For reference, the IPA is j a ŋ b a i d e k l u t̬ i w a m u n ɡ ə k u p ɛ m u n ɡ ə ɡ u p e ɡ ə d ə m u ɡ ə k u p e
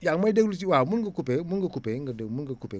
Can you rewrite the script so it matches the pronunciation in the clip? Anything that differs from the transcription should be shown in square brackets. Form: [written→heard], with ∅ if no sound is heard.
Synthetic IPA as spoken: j a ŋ [b→m] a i d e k l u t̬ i w a m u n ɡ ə k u p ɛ m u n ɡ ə [ɡ→k] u p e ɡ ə d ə m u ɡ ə k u p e